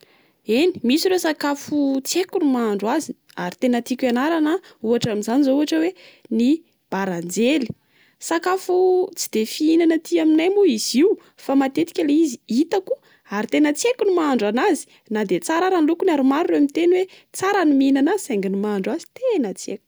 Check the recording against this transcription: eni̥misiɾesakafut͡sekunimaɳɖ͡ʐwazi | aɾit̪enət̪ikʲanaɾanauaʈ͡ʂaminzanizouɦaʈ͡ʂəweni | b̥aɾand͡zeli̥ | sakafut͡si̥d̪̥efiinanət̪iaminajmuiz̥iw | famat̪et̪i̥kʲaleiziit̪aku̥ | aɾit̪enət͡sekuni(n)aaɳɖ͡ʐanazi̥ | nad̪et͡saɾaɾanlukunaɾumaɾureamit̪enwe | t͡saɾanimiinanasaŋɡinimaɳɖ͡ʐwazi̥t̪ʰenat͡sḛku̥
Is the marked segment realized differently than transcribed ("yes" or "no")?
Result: yes